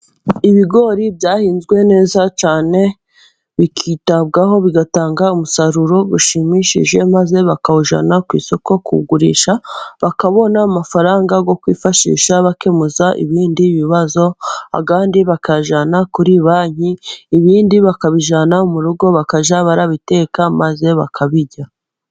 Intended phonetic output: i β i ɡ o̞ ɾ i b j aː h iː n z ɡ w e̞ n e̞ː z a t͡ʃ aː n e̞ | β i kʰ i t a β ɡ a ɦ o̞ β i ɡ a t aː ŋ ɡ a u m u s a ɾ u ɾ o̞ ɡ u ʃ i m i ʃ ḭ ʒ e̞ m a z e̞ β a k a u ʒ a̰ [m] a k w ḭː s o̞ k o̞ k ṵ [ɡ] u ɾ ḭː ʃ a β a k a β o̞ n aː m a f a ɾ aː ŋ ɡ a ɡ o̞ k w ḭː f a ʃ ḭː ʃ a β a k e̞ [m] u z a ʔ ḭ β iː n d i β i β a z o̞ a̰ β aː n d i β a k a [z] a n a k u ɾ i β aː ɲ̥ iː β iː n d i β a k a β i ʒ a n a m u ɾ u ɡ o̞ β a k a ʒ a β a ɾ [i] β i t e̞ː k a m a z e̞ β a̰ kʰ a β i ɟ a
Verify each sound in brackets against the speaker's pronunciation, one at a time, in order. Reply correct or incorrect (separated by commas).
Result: incorrect, correct, correct, incorrect, incorrect